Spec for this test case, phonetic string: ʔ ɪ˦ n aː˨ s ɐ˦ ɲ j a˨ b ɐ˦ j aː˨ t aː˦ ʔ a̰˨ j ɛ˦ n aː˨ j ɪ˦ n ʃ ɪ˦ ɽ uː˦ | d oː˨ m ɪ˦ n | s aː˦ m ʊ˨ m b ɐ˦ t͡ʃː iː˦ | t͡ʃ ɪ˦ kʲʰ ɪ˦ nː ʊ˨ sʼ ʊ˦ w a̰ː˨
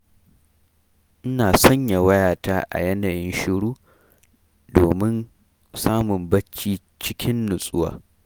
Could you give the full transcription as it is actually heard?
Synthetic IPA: ʔ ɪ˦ n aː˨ s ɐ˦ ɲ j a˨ w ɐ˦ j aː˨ t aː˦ ʔ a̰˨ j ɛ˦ n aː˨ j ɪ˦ n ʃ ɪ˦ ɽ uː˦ | d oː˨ m ɪ˦ n | s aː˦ m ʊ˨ m b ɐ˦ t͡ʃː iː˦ | t͡ʃ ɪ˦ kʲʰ ɪ˦ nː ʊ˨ sʼ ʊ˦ w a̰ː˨